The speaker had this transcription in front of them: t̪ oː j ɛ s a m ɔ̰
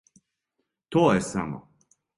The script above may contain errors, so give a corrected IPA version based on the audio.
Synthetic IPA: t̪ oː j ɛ s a m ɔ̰